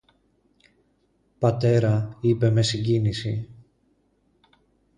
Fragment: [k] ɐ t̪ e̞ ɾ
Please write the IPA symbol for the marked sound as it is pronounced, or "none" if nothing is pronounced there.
p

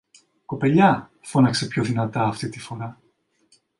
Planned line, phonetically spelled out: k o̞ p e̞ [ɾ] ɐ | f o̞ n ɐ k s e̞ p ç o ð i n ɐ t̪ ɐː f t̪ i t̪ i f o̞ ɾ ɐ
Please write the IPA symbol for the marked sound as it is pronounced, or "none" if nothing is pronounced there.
ʎ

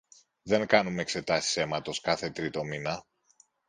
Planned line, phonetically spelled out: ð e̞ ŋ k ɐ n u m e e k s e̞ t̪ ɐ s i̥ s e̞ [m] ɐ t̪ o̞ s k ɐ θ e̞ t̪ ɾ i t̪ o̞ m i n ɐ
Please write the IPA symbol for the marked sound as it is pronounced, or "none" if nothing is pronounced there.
m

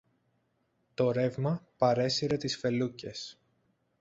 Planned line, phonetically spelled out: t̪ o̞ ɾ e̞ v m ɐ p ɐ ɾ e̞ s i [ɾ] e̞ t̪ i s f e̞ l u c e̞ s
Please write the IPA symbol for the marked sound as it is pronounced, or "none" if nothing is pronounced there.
ɾ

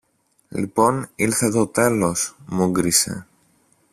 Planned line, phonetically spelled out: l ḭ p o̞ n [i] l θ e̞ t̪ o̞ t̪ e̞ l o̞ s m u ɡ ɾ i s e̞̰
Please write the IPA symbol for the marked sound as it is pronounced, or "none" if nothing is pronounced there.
i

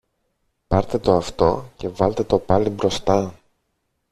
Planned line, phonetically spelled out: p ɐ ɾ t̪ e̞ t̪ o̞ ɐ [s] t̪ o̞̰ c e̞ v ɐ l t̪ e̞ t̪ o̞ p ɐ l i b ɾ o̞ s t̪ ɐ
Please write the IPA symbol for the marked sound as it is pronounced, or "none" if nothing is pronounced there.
f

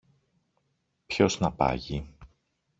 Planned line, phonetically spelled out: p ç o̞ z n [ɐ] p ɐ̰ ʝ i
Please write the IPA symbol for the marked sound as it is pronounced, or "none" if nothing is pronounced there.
ɐ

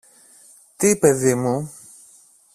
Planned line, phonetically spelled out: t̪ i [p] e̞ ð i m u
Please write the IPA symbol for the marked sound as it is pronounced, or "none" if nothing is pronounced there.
p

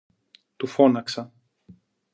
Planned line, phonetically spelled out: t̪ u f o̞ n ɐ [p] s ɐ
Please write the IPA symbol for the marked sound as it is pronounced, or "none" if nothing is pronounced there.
k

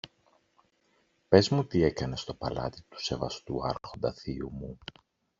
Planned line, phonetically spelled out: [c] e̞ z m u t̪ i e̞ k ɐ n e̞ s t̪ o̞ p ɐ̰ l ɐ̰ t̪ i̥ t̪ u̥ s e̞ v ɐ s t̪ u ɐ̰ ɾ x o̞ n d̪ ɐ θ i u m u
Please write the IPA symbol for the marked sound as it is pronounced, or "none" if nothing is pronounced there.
p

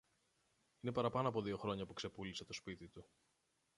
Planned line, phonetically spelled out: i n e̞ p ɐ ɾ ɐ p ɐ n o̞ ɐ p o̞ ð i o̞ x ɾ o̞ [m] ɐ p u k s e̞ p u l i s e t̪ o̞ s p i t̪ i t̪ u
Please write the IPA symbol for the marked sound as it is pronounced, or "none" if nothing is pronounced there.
ɲ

